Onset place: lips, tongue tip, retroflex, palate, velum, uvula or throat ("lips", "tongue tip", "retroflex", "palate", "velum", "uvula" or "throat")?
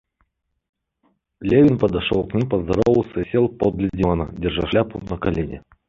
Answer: tongue tip